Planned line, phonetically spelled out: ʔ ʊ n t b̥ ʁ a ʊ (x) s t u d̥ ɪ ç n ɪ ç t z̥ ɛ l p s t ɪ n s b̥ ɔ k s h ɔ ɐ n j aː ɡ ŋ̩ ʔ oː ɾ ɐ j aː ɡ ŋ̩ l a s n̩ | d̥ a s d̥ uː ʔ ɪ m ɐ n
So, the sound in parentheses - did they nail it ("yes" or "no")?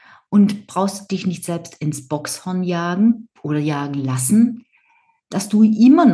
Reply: yes